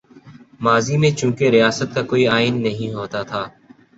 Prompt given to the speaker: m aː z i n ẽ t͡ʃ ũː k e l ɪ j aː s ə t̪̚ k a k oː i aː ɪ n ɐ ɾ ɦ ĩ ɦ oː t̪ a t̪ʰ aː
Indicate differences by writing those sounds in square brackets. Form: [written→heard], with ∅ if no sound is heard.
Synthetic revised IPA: m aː z i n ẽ t͡ʃ ũː k e [l→ɾ] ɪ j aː s ə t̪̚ k a k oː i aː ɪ [n→nː] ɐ [ɾ→∅] ɦ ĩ ɦ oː t̪ a t̪ʰ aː